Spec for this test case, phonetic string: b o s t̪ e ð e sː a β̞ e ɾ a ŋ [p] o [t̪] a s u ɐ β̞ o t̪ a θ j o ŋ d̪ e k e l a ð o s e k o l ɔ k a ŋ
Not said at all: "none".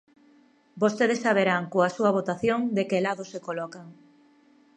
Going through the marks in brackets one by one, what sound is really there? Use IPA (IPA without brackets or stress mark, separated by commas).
k, none